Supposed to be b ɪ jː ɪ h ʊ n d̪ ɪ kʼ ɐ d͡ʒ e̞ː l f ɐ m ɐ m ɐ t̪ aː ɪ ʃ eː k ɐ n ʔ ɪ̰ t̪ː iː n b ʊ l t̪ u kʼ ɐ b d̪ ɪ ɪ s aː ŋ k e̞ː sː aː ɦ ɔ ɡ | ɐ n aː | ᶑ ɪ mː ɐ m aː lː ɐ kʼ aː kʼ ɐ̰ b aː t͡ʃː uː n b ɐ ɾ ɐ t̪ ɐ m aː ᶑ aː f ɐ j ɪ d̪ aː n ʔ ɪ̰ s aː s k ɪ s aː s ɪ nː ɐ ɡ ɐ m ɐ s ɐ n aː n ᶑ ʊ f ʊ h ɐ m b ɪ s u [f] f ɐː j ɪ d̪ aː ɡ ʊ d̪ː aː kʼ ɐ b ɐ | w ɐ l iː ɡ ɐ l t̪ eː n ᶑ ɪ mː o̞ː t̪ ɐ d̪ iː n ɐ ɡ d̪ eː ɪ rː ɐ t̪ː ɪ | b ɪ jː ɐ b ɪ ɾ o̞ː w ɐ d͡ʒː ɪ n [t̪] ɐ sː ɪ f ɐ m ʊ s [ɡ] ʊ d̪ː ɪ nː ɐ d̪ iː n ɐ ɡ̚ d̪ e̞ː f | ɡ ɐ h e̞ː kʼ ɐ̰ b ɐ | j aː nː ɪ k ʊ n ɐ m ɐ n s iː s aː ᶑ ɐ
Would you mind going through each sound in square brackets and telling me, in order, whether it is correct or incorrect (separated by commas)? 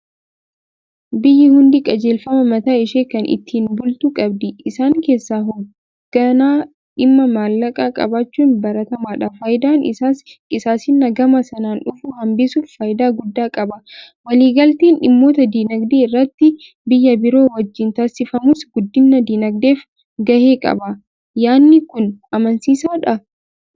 correct, correct, correct